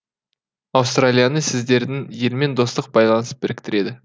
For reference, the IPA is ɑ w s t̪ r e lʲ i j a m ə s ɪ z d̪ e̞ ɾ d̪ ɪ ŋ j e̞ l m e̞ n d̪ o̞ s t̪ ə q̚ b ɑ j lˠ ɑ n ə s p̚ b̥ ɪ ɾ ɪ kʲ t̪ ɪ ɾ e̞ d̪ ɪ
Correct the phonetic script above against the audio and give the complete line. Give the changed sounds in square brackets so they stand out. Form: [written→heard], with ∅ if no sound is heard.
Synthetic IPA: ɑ w s t̪ r [e→a] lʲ i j a [m→n] ə s ɪ z d̪ e̞ ɾ d̪ ɪ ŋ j e̞ l m e̞ n d̪ o̞ s t̪ ə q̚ b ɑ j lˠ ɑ n ə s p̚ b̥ ɪ ɾ ɪ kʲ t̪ ɪ ɾ e̞ d̪ ɪ